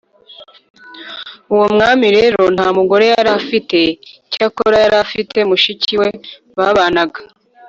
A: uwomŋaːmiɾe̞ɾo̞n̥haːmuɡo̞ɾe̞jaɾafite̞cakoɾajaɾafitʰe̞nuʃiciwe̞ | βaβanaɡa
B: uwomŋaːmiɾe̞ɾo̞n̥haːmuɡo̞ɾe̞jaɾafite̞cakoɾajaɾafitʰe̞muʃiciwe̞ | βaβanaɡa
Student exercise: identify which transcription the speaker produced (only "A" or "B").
B